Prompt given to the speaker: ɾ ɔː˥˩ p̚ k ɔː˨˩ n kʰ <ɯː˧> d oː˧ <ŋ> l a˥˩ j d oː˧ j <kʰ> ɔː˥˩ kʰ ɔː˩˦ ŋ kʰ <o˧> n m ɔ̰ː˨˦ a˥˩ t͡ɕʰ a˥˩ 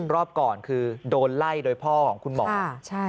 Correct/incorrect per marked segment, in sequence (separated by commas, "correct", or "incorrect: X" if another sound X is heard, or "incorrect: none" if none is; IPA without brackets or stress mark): correct, incorrect: n, incorrect: pʰ, incorrect: u˧